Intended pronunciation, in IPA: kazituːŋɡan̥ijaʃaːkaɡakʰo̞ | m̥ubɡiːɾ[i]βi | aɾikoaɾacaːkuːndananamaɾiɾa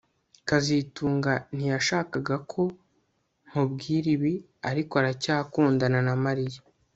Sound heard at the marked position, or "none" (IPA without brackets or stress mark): i